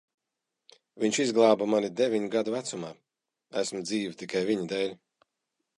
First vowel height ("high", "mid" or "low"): high